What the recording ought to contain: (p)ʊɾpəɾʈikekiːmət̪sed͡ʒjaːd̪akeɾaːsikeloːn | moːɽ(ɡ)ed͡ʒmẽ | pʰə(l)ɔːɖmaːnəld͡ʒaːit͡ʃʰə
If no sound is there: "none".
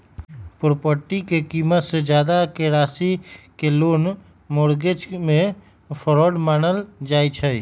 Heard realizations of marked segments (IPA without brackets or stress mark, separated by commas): p, ɡ, ɾ